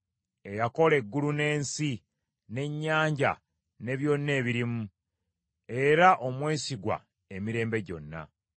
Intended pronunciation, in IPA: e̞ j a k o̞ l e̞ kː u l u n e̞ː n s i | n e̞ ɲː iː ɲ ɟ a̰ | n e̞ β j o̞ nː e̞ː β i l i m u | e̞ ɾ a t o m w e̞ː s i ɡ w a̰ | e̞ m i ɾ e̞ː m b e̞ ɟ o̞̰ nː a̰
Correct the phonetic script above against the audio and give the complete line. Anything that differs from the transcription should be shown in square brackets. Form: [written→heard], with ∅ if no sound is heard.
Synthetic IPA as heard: e̞ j a k o̞ l e̞ [kː→ɡː] u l u n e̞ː n s i | n e̞ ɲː [iː→aː] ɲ ɟ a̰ | n e̞ β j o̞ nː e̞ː β i [l→ɾ] i m u | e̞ ɾ a [t→ʔ] o m w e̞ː s i ɡ w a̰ | e̞ m i ɾ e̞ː m b e̞ ɟ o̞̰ nː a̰